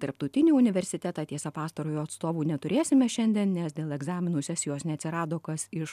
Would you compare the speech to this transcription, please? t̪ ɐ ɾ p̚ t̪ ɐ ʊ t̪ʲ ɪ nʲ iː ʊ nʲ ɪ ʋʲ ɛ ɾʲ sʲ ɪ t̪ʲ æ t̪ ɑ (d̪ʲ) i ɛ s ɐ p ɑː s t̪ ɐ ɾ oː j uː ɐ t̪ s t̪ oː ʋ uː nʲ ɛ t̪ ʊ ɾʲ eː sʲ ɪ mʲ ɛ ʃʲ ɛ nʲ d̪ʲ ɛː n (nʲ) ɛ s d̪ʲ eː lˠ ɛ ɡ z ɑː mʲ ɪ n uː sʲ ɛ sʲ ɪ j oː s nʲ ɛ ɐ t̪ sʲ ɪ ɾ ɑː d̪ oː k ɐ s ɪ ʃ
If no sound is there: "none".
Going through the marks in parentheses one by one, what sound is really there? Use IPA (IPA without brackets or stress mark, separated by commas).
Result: t̪ʲ, nʲ